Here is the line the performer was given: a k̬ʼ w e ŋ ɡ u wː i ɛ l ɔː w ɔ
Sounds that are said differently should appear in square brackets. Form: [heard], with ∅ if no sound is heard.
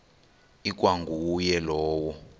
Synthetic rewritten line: [i] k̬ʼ w [a] ŋ ɡ u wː [j] ɛ l ɔː w ɔ